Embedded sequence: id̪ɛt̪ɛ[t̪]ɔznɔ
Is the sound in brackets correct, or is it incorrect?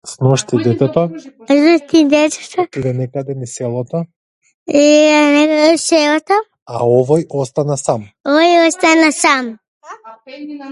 correct